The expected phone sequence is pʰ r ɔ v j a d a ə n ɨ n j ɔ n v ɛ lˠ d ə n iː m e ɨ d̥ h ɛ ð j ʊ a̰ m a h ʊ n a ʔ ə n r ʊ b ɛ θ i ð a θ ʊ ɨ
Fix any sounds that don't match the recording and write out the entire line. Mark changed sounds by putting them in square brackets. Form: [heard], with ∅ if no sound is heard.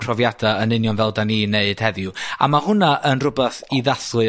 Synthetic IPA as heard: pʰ r ɔ v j a d a ə n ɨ n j ɔ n v ɛ lˠ d [a] n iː [n] e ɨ d̥ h ɛ ð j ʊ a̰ m a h ʊ n a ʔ ə n r ʊ b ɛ θ i ð a θ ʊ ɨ